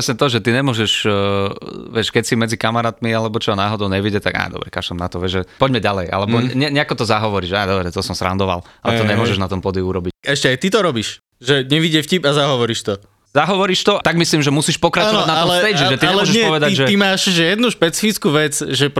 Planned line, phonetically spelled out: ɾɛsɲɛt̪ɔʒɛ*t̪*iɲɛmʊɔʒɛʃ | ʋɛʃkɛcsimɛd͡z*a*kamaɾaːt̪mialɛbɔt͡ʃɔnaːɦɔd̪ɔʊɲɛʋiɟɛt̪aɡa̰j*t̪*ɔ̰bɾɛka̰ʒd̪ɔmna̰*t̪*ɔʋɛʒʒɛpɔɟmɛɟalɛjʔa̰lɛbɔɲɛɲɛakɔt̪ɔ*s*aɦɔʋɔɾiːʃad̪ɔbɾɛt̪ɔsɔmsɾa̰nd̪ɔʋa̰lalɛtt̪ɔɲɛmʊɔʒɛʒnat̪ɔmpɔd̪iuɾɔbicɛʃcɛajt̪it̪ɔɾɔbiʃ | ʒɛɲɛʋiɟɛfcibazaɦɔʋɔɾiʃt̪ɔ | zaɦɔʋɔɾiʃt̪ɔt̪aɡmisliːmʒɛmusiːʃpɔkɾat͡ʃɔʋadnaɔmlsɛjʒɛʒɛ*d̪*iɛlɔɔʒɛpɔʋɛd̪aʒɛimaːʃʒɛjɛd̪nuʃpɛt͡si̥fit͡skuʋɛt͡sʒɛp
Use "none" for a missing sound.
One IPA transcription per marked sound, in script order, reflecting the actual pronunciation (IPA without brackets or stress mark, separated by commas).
t̪, i, d̪, t̪, z, t̪